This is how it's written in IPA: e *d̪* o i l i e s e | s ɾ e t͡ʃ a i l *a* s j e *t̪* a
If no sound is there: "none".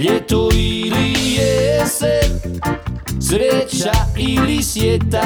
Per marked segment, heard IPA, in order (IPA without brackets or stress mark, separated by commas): t̪, i, t̪